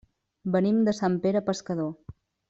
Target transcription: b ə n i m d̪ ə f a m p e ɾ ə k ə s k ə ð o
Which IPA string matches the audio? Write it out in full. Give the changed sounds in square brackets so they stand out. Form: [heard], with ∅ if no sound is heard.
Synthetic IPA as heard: b ə n i m d̪ ə [s] a m p e ɾ ə [p] ə s k ə ð o